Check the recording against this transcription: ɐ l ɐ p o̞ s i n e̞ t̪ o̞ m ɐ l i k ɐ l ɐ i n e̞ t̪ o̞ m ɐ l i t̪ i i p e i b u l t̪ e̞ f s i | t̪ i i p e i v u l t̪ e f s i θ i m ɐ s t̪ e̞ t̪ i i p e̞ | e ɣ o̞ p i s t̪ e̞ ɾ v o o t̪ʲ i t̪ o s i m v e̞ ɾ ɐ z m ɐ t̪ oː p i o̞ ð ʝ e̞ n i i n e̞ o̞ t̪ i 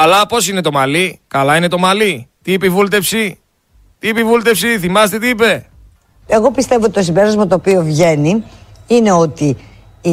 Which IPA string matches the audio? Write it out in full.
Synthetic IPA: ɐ l ɐ p o̞ s i n e̞ t̪ o̞ m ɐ l i k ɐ l ɐ i n e̞ t̪ o̞ m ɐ l i t̪ i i p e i v u l t̪ e̞ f s i | t̪ i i p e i v u l t̪ e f s i θ i m ɐ s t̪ e̞ t̪ i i p e̞ | e ɣ o̞ p i s t̪ e̞ v o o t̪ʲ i t̪ o s i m b e̞ ɾ ɐ z m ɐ t̪ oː p i o̞ v ʝ e̞ n i i n e̞ o̞ t̪ i